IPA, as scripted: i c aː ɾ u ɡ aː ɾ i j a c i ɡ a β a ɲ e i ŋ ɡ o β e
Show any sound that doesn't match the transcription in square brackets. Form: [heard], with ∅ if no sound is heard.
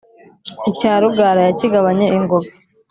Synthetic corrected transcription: i c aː ɾ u ɡ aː ɾ [a] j a c i ɡ a β a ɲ e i ŋ ɡ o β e